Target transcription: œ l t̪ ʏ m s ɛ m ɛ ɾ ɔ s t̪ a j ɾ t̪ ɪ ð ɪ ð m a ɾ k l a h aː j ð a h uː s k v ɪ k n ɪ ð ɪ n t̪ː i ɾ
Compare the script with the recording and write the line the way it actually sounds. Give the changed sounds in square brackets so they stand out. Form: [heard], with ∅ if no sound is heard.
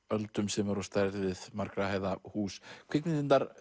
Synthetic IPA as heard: œ l t̪ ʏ m s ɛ m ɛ ɾ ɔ s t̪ a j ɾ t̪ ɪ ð ɪ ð m a ɾ k [ɾ] a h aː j ð a h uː s [kʰ] v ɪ k n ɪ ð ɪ n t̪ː [a] ɾ